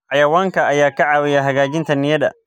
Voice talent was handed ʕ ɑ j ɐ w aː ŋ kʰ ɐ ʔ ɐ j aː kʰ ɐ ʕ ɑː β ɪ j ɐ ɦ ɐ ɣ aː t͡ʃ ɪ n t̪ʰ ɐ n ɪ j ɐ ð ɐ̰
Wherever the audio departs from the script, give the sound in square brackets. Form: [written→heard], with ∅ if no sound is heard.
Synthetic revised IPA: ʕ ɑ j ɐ w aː ŋ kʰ ɐ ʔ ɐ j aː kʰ ɐ ʕ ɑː [β→w] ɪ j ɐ ɦ ɐ ɣ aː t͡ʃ ɪ n t̪ʰ ɐ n ɪ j ɐ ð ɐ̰